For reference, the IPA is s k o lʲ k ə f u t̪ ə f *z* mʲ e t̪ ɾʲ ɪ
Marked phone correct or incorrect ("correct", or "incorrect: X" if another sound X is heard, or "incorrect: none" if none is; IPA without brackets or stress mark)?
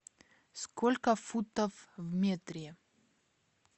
incorrect: v